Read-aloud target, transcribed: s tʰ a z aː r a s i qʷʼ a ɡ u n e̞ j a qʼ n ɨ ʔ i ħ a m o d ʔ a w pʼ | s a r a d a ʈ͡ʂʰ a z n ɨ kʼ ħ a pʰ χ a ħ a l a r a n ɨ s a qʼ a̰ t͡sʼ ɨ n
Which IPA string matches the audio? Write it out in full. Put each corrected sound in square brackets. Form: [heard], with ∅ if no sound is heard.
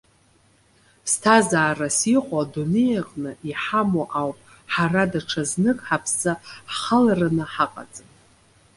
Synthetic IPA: s tʰ a z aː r a s i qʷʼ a [d] u n e̞ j a qʼ n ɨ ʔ i ħ a m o [∅] ʔ a w pʼ | [ħ] a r a d a ʈ͡ʂʰ a z n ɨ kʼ ħ a pʰ [s] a [χ] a l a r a n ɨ [ħ] a qʼ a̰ t͡sʼ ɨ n